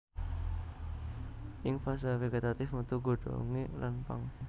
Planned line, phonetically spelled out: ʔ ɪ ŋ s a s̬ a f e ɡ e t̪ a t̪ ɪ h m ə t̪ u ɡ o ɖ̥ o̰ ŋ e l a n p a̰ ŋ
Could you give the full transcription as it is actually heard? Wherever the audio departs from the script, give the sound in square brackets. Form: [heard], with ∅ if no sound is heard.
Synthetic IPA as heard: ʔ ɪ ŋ [f] a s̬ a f e ɡ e t̪ a t̪ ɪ [f] m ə t̪ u ɡ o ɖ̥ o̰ ŋ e l a n p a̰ ŋ

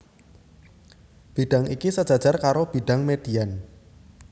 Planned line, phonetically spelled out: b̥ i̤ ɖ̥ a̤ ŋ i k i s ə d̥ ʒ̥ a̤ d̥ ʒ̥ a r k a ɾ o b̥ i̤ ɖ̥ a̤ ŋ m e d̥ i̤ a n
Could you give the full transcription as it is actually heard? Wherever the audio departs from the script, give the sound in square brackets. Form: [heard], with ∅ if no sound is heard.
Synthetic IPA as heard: b̥ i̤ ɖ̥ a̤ ŋ i k i s ə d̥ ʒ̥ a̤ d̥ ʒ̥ a r k a ɾ o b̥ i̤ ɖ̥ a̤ ŋ m e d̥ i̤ a n

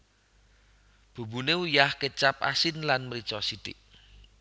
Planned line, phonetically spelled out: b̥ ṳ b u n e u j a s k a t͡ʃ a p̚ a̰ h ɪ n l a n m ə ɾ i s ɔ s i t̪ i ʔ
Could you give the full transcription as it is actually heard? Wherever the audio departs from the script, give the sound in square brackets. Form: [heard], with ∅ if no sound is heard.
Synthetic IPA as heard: b̥ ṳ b u n e u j a [h] k [ə] t͡ʃ a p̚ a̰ [s] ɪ n l a n m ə ɾ i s ɔ s i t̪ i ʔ

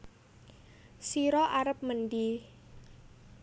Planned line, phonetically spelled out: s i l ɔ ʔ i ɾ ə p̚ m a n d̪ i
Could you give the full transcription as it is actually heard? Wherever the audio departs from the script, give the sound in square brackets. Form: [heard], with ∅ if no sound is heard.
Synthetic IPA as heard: s i [ɾ] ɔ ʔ [a] ɾ ə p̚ m [ə] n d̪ i

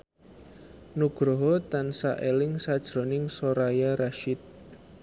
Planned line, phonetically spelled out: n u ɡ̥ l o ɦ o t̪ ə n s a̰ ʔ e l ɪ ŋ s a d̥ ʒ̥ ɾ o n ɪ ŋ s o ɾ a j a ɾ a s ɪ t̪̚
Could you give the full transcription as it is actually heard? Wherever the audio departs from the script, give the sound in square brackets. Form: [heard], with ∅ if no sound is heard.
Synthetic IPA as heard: n u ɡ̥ [ɾ] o ɦ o t̪ [a] n s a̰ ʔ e l ɪ ŋ s a d̥ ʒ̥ ɾ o n ɪ ŋ s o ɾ a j a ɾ a [ʃ] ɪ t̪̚

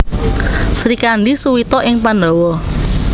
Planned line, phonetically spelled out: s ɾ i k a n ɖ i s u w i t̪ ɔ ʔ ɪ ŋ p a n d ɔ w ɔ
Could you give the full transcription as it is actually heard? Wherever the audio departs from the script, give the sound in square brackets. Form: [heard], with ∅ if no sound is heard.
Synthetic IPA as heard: s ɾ i k a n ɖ i s u w i t̪ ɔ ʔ ɪ ŋ p a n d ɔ w ɔ

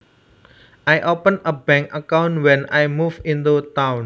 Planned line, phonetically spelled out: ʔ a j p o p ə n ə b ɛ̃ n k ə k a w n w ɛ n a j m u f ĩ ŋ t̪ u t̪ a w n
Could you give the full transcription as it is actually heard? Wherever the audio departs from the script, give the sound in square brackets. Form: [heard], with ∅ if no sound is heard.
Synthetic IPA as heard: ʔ a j [ʔ] o p ə n ə b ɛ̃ [ŋ] k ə k a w n w ɛ n a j m u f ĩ [n] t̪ u t̪ a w n

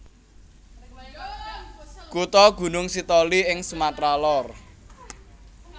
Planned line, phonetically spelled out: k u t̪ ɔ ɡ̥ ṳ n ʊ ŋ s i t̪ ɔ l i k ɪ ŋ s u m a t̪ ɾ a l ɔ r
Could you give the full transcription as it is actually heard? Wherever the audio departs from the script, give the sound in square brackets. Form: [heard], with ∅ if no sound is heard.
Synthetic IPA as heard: k u t̪ ɔ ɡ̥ ṳ n ʊ ŋ s i t̪ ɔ l i [∅] ɪ ŋ s u m a t̪ ɾ a l ɔ r

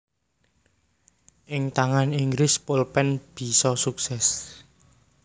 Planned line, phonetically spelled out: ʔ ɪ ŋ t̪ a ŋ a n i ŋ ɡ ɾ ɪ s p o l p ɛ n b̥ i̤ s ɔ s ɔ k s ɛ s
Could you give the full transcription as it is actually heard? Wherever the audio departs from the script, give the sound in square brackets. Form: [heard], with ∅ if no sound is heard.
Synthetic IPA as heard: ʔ ɪ ŋ t̪ a ŋ a n i ŋ ɡ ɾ ɪ s p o l p ɛ n b̥ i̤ s ɔ s [u] k s ɛ s

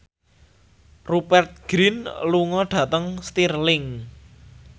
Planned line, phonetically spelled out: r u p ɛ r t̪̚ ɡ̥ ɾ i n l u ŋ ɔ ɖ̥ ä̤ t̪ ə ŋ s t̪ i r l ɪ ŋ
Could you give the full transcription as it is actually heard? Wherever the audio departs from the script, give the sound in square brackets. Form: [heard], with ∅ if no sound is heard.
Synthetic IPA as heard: r u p ɛ r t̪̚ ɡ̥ ɾ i n l u ŋ ɔ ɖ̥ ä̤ t̪ ə ŋ s t̪ i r l ɪ ŋ

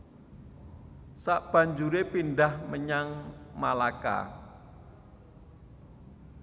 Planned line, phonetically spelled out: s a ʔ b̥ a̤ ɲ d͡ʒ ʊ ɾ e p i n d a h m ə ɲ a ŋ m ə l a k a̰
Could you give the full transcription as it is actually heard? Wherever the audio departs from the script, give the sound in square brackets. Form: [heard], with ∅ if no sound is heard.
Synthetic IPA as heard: s a ʔ b̥ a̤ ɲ d͡ʒ [u] ɾ e p i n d a h m ə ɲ a ŋ m [a] l a k a̰

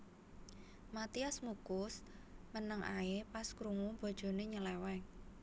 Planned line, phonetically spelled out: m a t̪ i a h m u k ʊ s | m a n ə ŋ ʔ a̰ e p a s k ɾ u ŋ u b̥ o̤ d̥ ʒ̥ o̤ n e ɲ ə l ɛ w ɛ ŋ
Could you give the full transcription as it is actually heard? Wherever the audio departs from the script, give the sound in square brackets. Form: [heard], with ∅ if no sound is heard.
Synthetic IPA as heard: m a t̪ i a [s] m u k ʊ s | m [ə] n ə ŋ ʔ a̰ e p a s k ɾ u ŋ u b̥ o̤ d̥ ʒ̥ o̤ n e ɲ ə l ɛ w ɛ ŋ

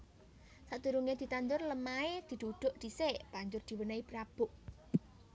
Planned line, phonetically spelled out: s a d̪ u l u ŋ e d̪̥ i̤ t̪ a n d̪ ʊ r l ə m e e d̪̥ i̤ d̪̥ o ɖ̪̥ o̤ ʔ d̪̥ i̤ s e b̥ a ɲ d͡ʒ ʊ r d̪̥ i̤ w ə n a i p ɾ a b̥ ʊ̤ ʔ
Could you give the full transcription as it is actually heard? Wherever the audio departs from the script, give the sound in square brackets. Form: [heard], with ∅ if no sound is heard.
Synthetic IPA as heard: s a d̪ u [ɾ] u ŋ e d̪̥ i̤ t̪ a n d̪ ʊ r l ə m [a] e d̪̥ i̤ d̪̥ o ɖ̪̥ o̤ ʔ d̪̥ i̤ s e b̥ a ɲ d͡ʒ ʊ r d̪̥ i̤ w ə n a i p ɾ a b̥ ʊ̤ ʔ

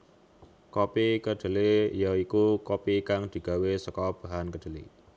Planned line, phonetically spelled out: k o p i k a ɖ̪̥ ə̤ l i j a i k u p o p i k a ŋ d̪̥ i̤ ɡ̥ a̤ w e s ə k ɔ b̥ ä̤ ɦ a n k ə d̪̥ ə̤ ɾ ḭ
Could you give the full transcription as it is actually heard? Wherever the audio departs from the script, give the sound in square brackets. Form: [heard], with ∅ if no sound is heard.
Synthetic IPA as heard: k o p i k [ə] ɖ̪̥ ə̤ l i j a i k u [k] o p i k a ŋ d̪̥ i̤ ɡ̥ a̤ w e s ə k ɔ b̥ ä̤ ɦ a n k ə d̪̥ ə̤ [l] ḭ

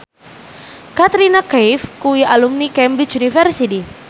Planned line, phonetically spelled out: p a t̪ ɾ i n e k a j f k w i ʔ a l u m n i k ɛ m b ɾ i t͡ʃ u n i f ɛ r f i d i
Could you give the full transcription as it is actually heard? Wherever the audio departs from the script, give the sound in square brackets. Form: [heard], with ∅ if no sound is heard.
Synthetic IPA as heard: [k] a t̪ ɾ i n [a] k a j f k [u] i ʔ a l u m n i k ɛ m b ɾ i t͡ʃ u n i f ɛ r [s] i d i

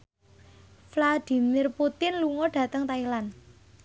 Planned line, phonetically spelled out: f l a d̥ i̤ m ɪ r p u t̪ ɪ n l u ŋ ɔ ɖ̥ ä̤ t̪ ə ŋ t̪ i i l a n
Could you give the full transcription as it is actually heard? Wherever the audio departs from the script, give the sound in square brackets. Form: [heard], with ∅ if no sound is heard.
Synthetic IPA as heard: f l a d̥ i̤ m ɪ r p u t̪ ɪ n l u ŋ ɔ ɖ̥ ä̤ t̪ ə ŋ t̪ [a] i l a n

